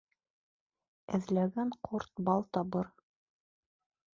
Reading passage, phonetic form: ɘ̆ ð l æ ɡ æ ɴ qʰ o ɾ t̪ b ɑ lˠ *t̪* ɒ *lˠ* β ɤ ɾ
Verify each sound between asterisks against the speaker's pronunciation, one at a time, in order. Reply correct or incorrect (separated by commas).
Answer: correct, incorrect